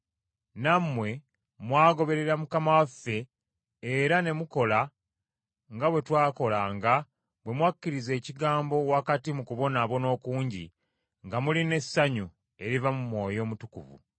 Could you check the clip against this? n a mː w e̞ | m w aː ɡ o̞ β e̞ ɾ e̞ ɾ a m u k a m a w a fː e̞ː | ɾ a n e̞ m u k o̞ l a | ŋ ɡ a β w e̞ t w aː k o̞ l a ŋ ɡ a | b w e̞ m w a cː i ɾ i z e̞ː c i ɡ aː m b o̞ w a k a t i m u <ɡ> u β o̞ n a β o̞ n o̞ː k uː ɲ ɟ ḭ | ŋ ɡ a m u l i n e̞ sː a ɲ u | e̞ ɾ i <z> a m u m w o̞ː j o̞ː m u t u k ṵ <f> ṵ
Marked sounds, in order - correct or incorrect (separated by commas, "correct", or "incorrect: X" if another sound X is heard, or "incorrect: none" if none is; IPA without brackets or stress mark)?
incorrect: k, incorrect: v, incorrect: v